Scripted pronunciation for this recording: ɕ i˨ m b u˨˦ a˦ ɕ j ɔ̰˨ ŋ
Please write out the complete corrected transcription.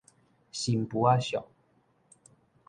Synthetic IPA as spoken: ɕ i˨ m p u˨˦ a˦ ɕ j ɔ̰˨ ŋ

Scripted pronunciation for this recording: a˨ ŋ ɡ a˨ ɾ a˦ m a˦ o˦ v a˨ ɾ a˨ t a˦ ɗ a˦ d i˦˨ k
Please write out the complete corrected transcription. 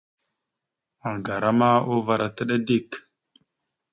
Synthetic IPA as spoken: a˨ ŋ ɡ a˨ ɾ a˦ m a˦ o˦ v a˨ ɾ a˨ t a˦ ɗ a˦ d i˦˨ k

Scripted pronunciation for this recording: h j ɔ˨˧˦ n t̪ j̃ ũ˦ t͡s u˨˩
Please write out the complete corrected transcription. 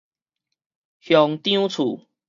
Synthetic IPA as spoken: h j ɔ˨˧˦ ŋ t̪ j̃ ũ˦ t͡sʰ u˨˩

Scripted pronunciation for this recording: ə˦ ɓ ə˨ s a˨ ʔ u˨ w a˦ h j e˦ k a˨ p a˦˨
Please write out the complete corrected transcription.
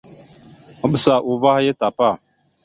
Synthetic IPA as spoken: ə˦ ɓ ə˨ s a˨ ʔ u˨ v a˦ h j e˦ t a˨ p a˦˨

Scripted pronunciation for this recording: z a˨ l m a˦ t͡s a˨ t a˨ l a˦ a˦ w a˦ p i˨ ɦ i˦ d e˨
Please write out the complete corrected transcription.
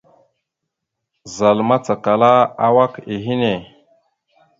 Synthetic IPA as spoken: z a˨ l m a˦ t͡s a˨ k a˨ l a˦ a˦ w a˦ k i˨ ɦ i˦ n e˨

